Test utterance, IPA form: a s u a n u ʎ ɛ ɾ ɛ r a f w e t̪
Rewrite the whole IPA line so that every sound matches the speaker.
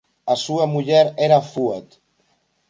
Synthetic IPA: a s u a m u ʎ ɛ ɾ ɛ ɾ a f u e t̪